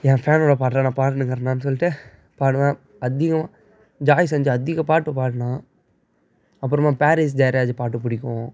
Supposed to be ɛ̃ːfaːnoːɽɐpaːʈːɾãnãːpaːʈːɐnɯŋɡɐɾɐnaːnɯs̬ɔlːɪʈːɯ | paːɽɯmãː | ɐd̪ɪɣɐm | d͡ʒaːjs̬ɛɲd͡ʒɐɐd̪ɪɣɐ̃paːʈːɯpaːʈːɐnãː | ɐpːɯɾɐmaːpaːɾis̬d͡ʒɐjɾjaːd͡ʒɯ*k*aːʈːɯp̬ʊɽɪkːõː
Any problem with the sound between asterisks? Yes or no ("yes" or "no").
yes